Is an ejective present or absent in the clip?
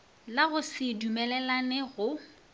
absent